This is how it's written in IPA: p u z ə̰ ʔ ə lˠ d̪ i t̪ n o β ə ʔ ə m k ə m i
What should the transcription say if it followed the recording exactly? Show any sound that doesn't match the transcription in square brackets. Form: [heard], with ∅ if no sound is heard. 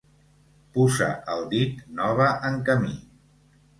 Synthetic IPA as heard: p u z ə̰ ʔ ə lˠ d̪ i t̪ n [ɔ] β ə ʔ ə [ŋ] k ə m i